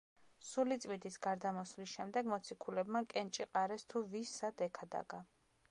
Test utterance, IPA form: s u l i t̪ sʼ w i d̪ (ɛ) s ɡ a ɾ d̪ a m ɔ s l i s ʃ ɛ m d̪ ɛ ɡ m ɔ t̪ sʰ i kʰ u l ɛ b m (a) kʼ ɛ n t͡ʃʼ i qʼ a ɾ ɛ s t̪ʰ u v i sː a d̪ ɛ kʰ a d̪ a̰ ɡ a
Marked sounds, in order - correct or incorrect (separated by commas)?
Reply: incorrect, correct